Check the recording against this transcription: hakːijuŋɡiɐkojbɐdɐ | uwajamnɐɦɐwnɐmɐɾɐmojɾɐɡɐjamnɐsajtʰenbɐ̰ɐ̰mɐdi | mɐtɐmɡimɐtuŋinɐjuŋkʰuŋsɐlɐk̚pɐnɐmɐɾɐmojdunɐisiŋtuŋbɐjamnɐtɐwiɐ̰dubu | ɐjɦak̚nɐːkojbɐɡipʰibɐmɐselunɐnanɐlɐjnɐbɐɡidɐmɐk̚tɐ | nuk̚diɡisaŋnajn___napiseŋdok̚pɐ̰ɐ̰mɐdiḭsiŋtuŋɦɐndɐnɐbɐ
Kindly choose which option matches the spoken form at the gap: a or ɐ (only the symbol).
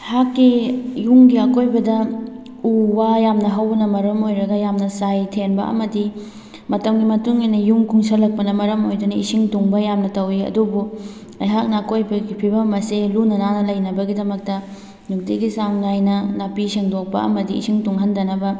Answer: ɐ